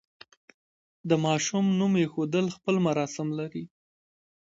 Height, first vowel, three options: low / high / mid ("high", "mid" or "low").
mid